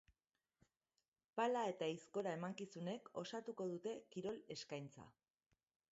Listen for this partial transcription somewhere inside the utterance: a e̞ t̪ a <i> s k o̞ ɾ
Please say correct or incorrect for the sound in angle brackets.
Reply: correct